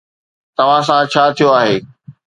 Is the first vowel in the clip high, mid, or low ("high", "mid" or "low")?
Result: low